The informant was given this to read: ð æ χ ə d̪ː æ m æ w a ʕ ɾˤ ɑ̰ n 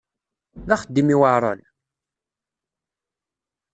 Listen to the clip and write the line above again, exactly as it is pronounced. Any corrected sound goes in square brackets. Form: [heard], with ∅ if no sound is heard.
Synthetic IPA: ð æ χ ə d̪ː [i] m [i] w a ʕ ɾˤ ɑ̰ n

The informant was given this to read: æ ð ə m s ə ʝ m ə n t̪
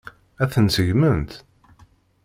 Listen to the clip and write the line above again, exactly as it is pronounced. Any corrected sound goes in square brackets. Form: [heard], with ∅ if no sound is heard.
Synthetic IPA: æ [θ] ə [n] s ə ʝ m ə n t̪

